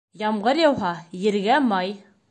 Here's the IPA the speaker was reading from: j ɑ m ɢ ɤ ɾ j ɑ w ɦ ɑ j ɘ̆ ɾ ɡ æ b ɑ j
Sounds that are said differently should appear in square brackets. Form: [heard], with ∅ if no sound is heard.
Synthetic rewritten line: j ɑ m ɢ ɤ ɾ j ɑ w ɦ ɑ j ɘ̆ ɾ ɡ æ [m] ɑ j